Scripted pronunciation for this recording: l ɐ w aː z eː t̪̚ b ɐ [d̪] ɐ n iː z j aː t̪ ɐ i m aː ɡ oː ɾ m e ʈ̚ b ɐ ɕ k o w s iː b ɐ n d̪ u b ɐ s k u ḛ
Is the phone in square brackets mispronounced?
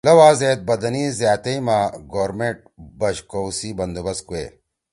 no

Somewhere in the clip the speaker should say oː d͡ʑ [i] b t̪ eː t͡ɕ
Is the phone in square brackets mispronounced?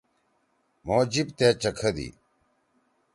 no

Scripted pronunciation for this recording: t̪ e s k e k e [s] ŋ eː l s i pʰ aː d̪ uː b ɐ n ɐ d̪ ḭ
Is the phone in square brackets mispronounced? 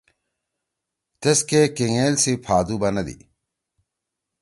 yes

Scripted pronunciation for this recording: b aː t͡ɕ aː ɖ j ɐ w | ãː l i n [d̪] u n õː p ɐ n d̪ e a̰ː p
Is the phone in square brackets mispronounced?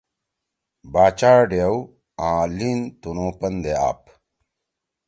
yes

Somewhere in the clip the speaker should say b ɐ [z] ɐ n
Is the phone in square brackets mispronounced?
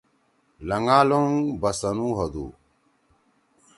yes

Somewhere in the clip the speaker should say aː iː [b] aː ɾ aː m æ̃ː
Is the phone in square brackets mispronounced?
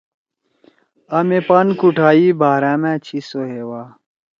no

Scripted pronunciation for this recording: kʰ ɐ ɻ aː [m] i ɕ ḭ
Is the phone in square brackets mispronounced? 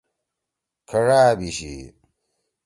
yes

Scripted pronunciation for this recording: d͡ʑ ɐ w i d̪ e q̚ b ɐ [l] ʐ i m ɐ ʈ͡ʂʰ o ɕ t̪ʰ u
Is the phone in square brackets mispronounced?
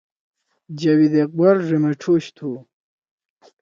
yes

